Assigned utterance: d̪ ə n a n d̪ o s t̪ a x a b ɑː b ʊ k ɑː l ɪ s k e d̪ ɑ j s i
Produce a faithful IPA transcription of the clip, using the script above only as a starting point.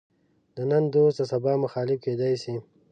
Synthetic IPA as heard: d̪ ə n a n d̪ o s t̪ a s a b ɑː m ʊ x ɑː l ɪ f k e d̪ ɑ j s i